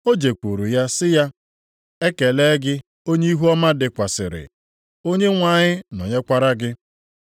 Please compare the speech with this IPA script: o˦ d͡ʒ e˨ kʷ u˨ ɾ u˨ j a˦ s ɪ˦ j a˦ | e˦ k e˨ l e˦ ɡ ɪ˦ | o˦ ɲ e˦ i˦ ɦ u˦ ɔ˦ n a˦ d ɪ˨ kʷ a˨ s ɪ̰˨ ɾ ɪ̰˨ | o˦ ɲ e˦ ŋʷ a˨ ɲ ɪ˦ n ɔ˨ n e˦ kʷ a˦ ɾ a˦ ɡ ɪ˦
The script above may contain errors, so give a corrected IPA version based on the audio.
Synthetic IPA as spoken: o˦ d͡ʒ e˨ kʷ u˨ ɾ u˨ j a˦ s ɪ˦ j a˦ | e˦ k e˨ l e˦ ɡ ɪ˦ | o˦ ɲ e˦ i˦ ɦ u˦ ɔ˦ m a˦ d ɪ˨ kʷ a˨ s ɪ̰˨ ɾ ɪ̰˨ | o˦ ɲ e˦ ŋʷ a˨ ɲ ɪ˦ n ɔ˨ ɲ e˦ kʷ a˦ ɾ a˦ ɡ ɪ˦